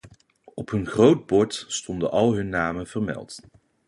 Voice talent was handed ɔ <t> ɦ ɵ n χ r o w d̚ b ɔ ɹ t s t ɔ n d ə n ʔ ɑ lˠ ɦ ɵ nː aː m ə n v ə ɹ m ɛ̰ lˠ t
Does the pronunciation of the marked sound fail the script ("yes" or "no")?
yes